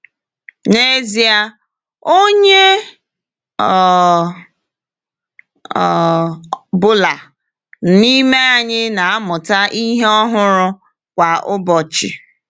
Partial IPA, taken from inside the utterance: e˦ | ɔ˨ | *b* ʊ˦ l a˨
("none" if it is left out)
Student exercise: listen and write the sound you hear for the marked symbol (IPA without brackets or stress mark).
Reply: b